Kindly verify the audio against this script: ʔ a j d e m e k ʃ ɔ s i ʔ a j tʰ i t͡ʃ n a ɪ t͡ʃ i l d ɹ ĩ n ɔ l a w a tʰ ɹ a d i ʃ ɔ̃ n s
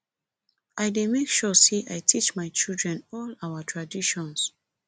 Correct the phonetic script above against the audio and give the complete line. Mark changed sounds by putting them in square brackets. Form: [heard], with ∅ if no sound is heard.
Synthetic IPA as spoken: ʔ a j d e m e k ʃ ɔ s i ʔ a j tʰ i t͡ʃ [m] a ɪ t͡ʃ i l d ɹ [ɛ̃] n ɔ l a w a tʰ ɹ a d i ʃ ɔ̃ n s